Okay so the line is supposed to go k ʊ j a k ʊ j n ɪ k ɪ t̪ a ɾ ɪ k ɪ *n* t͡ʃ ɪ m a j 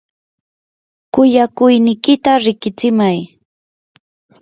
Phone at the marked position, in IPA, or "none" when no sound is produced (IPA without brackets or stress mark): none